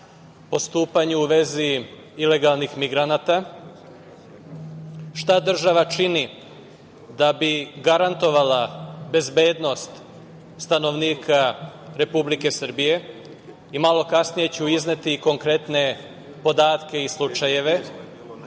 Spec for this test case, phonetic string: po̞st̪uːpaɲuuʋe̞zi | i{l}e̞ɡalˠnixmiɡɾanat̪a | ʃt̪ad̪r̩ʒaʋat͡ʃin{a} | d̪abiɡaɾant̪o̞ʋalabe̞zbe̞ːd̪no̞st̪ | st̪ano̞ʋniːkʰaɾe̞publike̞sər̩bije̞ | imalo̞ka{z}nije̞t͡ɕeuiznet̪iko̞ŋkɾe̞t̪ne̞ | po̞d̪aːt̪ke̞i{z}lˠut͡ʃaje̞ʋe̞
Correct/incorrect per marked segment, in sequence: correct, incorrect: i, incorrect: s, incorrect: s

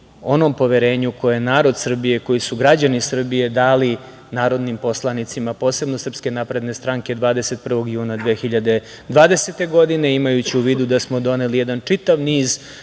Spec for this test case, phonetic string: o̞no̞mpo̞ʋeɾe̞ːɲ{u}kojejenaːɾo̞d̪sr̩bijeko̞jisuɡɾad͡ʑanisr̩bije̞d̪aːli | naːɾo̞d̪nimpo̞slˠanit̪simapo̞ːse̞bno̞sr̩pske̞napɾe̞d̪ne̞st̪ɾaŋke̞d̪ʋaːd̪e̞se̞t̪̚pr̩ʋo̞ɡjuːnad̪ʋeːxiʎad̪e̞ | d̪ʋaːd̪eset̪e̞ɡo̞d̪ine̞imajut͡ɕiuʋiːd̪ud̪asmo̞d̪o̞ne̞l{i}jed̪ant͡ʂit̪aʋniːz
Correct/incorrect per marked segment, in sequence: correct, correct

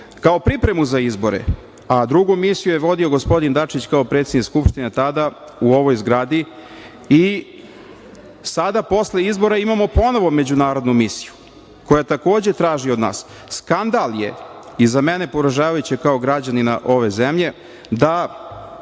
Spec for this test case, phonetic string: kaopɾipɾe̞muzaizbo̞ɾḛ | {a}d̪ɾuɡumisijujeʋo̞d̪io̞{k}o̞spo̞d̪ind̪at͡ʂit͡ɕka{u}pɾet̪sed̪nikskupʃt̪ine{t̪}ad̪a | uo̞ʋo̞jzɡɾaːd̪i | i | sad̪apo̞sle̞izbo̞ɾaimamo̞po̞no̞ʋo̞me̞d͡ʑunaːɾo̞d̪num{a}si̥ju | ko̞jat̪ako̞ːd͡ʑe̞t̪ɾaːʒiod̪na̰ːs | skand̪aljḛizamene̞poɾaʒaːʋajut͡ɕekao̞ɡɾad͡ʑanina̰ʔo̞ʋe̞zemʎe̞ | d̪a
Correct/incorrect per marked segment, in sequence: correct, incorrect: ɡ, incorrect: o, correct, incorrect: i

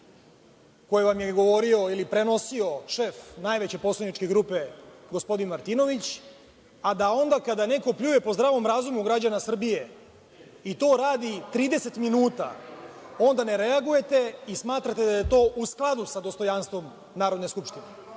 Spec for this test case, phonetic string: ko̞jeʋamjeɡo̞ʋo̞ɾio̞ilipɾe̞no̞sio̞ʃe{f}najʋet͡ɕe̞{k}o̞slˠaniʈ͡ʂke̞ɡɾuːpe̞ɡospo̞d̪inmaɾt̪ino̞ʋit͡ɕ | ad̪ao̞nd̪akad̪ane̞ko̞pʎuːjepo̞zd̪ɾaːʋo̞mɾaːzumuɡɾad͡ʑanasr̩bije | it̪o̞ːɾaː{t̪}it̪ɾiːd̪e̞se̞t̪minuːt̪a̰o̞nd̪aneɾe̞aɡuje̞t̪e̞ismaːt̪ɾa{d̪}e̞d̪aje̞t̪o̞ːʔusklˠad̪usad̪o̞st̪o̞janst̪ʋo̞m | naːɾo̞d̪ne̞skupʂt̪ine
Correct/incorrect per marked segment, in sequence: correct, incorrect: p, incorrect: d̪, incorrect: t̪

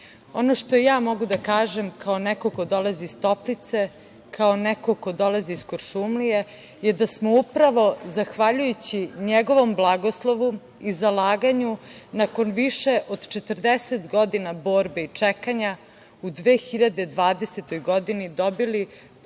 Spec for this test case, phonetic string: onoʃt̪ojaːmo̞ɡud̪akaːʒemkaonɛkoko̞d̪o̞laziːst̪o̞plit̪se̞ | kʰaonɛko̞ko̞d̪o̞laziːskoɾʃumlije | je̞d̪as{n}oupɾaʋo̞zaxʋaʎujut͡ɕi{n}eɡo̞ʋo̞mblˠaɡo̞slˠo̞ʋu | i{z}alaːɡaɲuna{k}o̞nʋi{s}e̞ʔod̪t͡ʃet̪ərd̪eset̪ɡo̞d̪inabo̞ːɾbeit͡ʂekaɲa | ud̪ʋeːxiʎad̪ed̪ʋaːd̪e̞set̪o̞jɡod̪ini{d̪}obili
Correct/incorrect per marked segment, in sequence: incorrect: m, incorrect: ɲ, correct, correct, incorrect: ʃ, correct

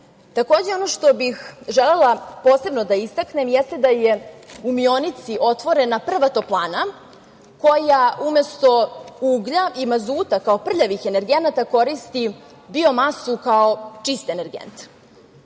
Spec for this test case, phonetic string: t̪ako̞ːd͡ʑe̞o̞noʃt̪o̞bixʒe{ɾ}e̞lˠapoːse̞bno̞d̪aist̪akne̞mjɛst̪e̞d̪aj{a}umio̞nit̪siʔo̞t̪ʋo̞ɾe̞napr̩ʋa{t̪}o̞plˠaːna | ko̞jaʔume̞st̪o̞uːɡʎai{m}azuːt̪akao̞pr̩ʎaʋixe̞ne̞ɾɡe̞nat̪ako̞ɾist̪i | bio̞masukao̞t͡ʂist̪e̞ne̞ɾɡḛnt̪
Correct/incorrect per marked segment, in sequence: incorrect: l, incorrect: e, correct, correct

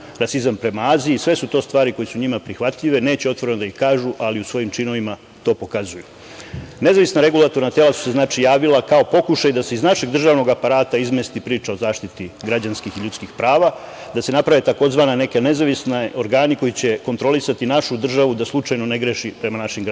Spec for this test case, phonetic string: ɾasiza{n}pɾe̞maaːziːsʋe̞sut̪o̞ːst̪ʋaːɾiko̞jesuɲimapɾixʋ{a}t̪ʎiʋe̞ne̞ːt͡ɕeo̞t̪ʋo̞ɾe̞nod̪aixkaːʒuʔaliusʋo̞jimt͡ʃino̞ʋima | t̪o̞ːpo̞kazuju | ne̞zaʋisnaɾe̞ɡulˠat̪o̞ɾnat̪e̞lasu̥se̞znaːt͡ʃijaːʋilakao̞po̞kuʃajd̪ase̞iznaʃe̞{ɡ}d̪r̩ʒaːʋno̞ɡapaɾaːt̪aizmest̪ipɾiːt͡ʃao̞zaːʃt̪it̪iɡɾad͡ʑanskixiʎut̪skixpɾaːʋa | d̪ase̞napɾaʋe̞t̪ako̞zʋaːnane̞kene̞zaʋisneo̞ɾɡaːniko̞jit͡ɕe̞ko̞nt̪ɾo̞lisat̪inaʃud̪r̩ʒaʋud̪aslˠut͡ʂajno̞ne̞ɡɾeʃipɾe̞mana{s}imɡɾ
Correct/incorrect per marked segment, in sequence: incorrect: m, correct, correct, incorrect: ʃ

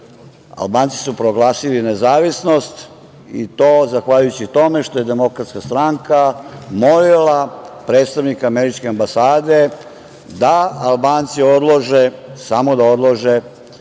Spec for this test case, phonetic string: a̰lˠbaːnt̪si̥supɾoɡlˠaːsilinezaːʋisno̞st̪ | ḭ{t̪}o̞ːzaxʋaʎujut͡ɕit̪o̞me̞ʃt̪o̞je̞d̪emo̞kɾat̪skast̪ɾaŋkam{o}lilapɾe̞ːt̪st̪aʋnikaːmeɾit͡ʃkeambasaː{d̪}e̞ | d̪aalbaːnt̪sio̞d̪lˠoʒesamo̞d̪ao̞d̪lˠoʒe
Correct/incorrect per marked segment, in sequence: correct, correct, correct

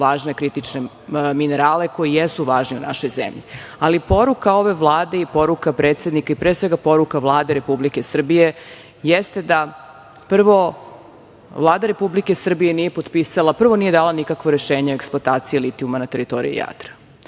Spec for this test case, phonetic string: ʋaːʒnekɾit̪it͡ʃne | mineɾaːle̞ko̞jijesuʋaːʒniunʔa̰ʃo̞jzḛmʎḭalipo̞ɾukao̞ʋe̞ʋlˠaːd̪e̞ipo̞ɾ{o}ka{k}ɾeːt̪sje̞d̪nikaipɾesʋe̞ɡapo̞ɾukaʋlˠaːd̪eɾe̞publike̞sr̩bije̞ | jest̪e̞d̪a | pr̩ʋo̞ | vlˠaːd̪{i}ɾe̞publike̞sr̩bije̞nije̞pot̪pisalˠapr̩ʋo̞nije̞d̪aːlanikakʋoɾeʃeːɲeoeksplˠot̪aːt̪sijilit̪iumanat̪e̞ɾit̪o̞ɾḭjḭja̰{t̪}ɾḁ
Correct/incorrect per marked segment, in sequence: incorrect: u, incorrect: p, incorrect: a, correct

